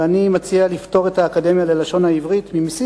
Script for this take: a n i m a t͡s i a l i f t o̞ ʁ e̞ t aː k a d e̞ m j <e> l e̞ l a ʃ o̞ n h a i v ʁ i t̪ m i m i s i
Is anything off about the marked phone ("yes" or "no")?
yes